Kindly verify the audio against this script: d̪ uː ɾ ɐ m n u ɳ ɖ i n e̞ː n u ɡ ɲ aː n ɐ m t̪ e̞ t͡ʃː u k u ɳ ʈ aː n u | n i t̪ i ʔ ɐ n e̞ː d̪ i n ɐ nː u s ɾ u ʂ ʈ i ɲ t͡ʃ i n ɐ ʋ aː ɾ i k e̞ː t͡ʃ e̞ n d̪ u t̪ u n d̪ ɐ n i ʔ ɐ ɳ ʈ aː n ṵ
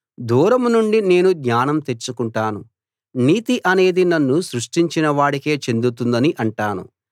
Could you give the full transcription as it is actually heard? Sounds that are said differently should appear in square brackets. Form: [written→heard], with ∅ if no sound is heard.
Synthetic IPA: d̪ uː ɾ ɐ m n u ɳ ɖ i n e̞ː n u ɡ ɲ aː n ɐ m t̪ e̞ t͡ʃː u k u ɳ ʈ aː n u | n [i→iː] t̪ i ʔ ɐ n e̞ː d̪ i n ɐ nː u s ɾ u ʂ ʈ i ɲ t͡ʃ i n ɐ ʋ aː [ɾ→ɽ] i k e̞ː t͡ʃ e̞ n d̪ u t̪ u n d̪ ɐ n i ʔ ɐ ɳ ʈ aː n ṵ

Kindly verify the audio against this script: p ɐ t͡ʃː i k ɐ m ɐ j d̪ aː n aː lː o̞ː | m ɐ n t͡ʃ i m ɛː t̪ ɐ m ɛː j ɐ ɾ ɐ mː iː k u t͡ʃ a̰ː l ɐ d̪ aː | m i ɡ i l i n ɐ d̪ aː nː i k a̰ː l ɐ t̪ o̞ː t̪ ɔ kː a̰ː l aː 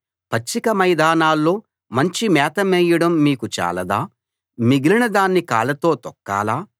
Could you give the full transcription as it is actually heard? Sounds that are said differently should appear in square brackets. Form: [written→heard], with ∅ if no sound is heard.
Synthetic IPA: p ɐ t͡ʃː i k ɐ m ɐ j d̪ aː n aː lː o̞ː | m ɐ [n→ɲ] t͡ʃ i m ɛː t̪ ɐ m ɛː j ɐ [ɾ→ɽ] ɐ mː iː k u t͡ʃ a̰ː l ɐ d̪ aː | m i ɡ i l i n ɐ d̪ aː nː i k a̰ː l ɐ t̪ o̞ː t̪ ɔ kː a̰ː l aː

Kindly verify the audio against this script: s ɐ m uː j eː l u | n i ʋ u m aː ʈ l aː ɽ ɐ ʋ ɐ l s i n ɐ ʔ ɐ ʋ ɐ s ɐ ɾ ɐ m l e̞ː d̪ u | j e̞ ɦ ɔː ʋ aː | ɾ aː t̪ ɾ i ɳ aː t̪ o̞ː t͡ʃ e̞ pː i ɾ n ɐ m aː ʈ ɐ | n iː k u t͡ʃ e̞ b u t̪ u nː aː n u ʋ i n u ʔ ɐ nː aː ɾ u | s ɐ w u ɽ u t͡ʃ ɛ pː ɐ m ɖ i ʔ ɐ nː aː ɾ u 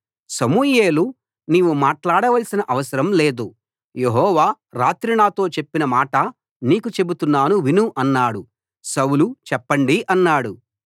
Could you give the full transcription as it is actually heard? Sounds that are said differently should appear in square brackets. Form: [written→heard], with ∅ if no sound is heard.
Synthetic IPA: s ɐ m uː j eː l u | n [i→iː] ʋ u m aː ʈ l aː ɽ ɐ ʋ ɐ l s i n ɐ ʔ ɐ ʋ ɐ s ɐ ɾ ɐ m l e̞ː d̪ u | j e̞ ɦ ɔː ʋ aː | ɾ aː t̪ ɾ i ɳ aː t̪ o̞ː t͡ʃ e̞ pː i [ɾ→∅] n ɐ m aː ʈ ɐ | n iː k u t͡ʃ e̞ b u t̪ u nː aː n u ʋ i n u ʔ ɐ nː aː [ɾ→ɽ] u | s ɐ w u [ɽ→l] u t͡ʃ ɛ pː ɐ [m→ɳ] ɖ i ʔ ɐ nː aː [ɾ→ɽ] u

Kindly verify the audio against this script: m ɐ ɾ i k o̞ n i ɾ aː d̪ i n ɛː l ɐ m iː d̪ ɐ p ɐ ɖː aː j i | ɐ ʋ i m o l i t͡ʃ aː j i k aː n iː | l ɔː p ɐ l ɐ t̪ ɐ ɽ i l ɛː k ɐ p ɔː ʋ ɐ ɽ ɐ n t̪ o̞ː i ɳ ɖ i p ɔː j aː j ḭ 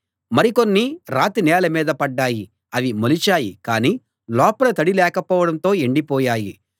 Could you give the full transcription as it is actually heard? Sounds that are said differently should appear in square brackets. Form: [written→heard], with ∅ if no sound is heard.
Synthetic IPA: m ɐ ɾ i k o̞ [n→nː] i ɾ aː [d̪→t̪] i n ɛː l ɐ m iː d̪ ɐ p ɐ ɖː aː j i | ɐ ʋ i m o l i t͡ʃ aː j i k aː n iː | l ɔː p ɐ l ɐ t̪ ɐ ɽ i l ɛː k ɐ p ɔː ʋ ɐ ɽ ɐ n t̪ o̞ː [i→e] ɳ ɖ i p ɔː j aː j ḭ

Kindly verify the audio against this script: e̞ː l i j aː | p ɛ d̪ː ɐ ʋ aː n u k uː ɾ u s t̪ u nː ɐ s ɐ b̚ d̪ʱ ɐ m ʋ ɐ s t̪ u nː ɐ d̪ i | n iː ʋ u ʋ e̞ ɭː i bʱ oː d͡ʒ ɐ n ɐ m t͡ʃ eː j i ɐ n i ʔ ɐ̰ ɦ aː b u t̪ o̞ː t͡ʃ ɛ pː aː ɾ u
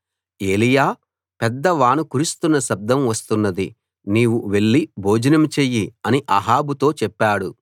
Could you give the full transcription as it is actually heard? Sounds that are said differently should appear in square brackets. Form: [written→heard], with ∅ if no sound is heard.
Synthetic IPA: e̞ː l i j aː | p ɛ d̪ː ɐ ʋ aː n u k [uː→u] ɾ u s t̪ u nː ɐ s ɐ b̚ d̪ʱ ɐ m ʋ ɐ s t̪ u nː ɐ d̪ i | n iː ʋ u ʋ e̞ ɭː i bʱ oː d͡ʒ ɐ n ɐ m t͡ʃ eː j i ɐ n i ʔ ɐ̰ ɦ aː b u t̪ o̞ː t͡ʃ ɛ pː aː [ɾ→ɽ] u

